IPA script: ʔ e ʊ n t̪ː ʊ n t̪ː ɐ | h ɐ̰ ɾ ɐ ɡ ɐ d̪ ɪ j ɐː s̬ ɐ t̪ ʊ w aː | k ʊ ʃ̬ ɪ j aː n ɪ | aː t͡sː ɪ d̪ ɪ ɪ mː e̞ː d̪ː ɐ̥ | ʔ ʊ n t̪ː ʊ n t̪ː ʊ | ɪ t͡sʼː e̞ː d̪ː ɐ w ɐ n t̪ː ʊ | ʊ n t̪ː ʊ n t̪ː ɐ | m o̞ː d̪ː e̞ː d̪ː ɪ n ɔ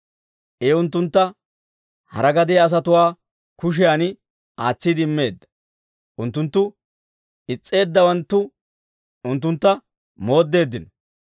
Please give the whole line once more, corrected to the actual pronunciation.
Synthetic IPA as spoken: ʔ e ʊ n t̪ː ʊ n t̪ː ɐ | h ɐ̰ ɾ ɐ ɡ ɐ d̪ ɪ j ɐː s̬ ɐ t̪ ʊ w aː | k ʊ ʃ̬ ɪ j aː n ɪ | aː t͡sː ɪ d̪ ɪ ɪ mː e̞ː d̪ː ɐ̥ | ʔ ʊ n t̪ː ʊ n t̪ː ʊ | ɪ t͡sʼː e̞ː d̪ː ɐ w ɐ n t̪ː ʊ | ʊ n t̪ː ʊ n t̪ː ɐ | m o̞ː d̪ː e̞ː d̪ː ɪ n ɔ